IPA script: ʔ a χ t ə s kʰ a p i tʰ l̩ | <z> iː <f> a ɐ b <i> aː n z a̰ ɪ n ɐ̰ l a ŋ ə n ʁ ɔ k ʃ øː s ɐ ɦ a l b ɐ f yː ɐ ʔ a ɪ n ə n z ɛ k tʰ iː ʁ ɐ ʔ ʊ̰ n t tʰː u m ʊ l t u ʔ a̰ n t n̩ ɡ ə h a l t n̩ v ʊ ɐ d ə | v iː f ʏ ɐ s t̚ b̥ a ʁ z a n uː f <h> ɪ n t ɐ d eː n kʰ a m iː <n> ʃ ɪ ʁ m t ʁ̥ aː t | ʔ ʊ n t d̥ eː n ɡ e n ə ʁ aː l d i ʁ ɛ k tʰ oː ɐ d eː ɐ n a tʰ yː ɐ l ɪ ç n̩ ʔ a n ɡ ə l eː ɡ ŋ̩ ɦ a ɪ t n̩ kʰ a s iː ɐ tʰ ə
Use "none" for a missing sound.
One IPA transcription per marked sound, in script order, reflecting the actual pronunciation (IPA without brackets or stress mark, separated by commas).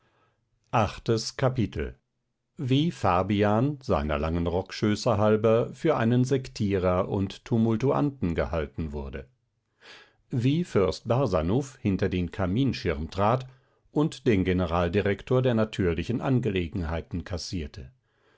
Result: v, f, i, h, n